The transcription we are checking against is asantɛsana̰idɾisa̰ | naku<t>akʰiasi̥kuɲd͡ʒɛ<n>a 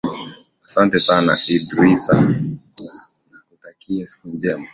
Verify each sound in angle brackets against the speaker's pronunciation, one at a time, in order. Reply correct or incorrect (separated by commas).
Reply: correct, incorrect